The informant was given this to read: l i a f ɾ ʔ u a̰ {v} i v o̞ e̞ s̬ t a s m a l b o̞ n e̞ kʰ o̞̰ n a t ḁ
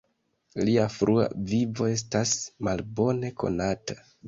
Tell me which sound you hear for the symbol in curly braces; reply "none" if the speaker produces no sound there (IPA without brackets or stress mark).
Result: v